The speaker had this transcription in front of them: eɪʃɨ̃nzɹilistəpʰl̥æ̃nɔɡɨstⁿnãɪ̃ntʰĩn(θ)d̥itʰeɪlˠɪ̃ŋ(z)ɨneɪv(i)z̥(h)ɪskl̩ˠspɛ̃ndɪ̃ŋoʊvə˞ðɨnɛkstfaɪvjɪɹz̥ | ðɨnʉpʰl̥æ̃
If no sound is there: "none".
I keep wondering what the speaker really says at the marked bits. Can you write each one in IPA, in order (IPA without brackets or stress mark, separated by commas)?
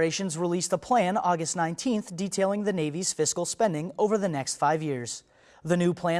θ, ð, i, f